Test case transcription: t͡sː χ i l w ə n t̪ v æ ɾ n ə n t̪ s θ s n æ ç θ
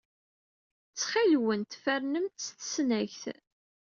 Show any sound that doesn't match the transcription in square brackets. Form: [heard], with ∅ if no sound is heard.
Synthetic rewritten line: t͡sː χ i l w ə n t̪ [f] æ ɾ n ə [m] t̪ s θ s n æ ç θ